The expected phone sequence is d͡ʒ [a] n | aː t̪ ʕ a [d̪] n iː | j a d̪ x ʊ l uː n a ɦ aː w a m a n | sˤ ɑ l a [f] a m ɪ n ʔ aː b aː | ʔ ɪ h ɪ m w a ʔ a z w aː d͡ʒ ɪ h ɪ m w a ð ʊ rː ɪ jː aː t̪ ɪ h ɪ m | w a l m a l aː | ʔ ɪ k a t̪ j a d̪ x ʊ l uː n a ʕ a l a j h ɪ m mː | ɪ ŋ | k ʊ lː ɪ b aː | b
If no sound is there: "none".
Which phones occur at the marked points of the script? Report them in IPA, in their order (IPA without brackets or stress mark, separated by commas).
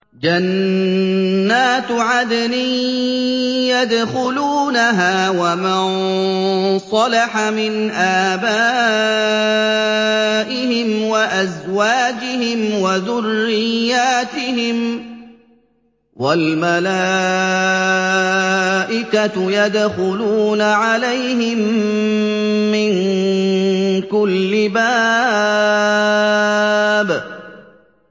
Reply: a, d̪, ħ